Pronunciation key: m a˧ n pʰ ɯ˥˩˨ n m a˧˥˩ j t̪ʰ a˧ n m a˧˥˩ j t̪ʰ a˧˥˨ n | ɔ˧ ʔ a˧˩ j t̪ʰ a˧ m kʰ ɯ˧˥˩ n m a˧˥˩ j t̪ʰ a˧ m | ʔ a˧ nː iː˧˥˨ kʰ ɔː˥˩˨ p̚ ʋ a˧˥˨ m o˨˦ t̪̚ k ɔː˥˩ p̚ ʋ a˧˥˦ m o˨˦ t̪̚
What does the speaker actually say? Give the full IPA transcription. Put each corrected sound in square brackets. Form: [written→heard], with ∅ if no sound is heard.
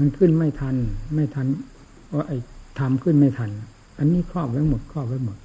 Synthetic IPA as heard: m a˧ n [pʰ→kʰ] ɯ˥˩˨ n m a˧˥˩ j t̪ʰ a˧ n m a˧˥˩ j t̪ʰ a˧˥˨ n | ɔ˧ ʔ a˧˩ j t̪ʰ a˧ m kʰ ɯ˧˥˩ n m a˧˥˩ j t̪ʰ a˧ [m→n] | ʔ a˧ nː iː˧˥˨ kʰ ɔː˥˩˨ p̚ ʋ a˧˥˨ m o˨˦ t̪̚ [k→kʰ] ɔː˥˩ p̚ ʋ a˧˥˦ m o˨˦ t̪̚